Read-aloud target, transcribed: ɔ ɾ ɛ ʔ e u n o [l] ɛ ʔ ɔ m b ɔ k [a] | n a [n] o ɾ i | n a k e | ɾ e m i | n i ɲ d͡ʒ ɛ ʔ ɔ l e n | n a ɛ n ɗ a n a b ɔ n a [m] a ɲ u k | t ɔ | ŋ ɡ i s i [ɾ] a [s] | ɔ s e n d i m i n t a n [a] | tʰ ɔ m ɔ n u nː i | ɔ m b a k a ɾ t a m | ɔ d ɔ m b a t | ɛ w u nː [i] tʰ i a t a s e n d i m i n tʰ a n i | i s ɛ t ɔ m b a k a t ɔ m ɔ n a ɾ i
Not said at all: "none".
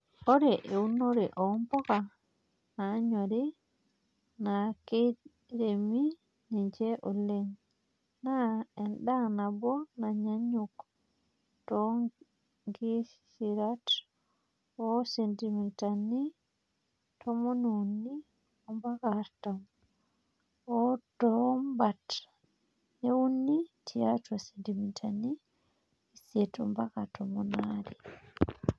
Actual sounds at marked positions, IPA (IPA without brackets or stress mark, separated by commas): ɾ, a, ɲ, ɲ, ɾ, t, i, i